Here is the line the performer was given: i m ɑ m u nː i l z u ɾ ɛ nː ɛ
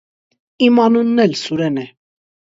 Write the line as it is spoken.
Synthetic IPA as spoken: i m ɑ n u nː ɛ l s u ɾ ɛ n ɛ